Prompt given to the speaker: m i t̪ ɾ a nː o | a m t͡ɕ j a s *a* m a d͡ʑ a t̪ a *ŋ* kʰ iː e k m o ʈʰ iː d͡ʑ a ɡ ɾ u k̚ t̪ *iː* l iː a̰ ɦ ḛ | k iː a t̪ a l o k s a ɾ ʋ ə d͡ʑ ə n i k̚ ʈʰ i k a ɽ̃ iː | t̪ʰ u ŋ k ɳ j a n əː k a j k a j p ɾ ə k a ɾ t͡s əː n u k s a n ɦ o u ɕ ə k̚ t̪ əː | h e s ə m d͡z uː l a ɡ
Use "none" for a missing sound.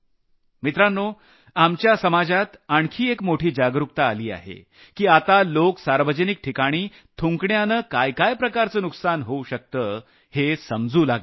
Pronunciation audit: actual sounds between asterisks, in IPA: ə, ɳ, aː

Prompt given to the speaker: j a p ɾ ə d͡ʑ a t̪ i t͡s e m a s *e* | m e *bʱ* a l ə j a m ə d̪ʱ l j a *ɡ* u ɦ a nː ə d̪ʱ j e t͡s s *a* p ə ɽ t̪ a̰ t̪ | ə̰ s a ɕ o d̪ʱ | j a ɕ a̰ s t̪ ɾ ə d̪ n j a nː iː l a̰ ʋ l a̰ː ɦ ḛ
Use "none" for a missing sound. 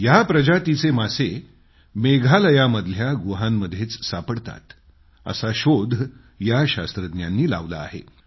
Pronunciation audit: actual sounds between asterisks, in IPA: e, ɡʱ, ɡ, a

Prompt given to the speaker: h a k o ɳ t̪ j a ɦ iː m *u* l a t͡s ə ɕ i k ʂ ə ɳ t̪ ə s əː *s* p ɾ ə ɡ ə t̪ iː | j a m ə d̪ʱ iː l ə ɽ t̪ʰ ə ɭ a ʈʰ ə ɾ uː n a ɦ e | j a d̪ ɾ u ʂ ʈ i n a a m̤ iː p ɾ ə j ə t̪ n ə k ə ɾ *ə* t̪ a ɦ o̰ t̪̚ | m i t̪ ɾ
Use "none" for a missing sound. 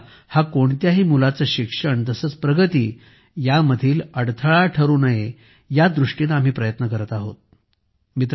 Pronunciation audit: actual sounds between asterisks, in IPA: u, t͡s, ə

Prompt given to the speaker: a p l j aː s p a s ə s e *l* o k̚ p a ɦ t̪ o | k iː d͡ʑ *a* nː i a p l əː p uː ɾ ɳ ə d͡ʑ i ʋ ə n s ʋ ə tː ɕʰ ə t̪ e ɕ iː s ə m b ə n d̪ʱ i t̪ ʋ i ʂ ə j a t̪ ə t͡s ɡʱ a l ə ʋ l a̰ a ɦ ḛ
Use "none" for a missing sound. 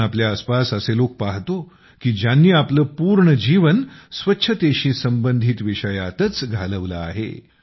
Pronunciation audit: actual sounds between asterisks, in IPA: l, a

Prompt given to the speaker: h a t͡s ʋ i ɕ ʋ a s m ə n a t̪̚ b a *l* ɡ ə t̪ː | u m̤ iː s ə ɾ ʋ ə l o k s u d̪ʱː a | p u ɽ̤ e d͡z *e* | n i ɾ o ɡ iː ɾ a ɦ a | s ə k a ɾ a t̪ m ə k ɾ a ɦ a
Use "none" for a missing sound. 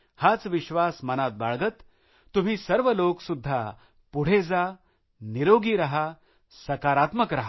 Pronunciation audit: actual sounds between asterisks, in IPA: ɭ, a

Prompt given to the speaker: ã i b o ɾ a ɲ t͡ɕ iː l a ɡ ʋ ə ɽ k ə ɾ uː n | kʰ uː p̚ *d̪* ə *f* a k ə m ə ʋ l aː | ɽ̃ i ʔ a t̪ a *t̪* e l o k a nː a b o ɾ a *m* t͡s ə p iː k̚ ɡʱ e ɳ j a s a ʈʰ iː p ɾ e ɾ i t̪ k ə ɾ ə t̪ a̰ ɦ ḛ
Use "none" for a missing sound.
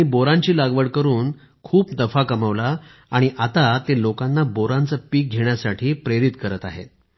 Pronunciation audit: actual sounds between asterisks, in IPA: d̪, f, t̪, n

